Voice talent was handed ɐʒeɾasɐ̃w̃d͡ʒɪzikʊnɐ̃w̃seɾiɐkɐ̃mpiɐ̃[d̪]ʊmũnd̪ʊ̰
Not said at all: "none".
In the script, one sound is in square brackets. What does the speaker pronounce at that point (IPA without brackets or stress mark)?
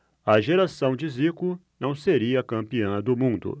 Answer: d̪